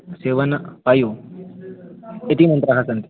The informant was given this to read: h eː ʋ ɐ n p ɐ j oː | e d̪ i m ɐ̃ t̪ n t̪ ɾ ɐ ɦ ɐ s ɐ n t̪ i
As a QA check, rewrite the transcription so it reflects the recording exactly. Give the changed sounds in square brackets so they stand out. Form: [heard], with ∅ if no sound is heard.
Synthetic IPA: [s] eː ʋ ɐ n p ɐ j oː | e [t̪] i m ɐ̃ [∅] n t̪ ɾ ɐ ɦ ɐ s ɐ n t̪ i